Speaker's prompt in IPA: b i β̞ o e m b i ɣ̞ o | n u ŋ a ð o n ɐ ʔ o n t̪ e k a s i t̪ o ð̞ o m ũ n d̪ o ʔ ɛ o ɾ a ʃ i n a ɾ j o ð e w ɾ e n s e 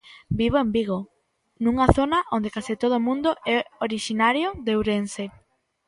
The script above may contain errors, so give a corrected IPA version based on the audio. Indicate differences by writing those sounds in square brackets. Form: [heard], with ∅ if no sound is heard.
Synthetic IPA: b i β̞ o e m b i ɣ̞ o | n u ŋ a [θ] o n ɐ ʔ o n [d̪] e k a s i t̪ o ð̞ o m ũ n d̪ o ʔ ɛ o ɾ [i] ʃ i n a ɾ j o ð e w ɾ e n s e